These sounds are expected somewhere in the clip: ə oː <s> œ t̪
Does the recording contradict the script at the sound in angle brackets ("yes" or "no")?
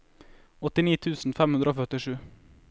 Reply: yes